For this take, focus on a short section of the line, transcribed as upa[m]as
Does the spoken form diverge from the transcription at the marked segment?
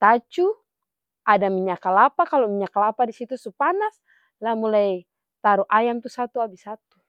yes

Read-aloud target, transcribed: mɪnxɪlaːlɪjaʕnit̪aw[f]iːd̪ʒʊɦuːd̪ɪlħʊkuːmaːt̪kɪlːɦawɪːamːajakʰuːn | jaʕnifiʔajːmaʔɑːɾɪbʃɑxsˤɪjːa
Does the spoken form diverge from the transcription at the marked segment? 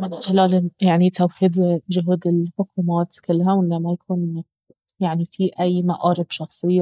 yes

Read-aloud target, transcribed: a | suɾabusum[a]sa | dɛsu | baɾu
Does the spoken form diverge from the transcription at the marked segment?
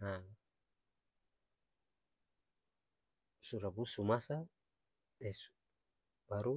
no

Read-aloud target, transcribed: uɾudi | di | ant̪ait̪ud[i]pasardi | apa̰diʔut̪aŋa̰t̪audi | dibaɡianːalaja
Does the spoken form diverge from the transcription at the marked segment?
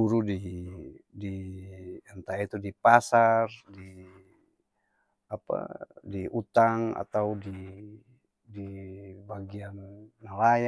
no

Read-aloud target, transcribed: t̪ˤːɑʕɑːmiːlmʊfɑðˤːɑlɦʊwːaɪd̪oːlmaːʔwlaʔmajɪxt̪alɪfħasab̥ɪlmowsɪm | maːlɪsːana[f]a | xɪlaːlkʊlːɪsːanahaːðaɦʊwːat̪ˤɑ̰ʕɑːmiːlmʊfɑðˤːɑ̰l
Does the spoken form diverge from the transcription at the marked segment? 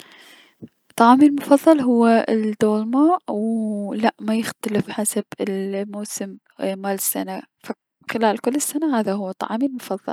no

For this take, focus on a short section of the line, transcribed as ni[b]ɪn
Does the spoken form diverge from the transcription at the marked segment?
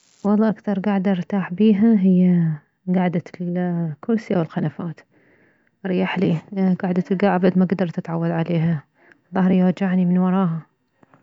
yes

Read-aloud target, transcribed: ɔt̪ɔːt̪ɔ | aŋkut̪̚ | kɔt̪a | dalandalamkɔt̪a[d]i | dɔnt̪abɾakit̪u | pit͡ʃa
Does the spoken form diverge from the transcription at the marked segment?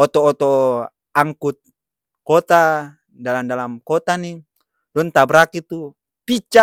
yes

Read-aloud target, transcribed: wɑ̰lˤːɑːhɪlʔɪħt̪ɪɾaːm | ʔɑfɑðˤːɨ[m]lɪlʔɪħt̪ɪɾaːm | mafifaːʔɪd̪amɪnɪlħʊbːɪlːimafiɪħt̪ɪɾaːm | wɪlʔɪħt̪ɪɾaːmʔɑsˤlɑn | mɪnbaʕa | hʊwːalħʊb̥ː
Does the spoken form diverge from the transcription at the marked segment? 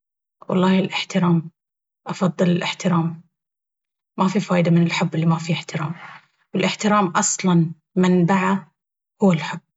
yes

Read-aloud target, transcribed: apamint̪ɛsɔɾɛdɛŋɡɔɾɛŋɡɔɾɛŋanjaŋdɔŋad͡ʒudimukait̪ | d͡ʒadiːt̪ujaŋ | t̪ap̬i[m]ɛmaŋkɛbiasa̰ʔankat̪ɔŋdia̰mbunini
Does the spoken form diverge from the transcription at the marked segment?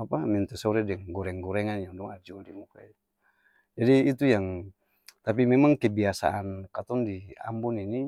no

